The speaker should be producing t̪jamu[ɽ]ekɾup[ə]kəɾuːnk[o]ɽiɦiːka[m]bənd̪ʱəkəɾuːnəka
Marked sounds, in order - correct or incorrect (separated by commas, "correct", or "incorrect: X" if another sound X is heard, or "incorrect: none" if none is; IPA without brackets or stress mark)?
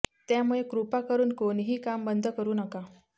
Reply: incorrect: ɭ, incorrect: a, correct, correct